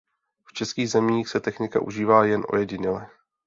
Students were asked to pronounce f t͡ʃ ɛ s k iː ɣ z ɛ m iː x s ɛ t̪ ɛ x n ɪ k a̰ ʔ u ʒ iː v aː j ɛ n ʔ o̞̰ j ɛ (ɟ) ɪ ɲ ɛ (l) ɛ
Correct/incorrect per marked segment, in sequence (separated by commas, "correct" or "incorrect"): correct, correct